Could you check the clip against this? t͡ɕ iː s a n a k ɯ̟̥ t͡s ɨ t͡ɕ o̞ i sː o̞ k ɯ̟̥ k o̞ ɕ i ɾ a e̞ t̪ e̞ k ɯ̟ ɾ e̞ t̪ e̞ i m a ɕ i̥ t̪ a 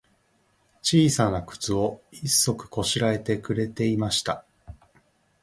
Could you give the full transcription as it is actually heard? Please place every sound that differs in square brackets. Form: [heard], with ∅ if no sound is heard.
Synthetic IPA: t͡ɕ iː s a n a k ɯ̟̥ t͡s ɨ [∅] o̞ i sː o̞ k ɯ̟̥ k o̞ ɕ i ɾ a e̞ t̪ e̞ k ɯ̟ ɾ e̞ t̪ e̞ i m a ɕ i̥ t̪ a